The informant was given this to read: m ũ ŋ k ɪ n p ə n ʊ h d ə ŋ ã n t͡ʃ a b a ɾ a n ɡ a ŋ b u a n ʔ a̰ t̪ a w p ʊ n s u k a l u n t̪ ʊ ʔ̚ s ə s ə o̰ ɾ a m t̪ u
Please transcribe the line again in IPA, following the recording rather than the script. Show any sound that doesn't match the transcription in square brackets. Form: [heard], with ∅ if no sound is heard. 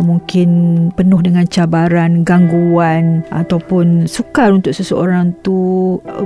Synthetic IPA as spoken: m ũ ŋ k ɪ n p ə n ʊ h d ə ŋ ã n t͡ʃ a b a ɾ a n ɡ a ŋ [ɡ] u a n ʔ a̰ t̪ a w p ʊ n s u k a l u n t̪ ʊ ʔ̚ s ə s ə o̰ ɾ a [ŋ] t̪ u